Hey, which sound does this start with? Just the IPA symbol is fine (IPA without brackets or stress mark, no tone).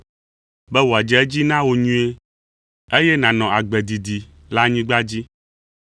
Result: b